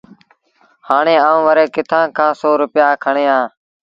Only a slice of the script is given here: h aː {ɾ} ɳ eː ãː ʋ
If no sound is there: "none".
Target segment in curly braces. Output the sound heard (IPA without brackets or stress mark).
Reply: none